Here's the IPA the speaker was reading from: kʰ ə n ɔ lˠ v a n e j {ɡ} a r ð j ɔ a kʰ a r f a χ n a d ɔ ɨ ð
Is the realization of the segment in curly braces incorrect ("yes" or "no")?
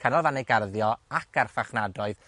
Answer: no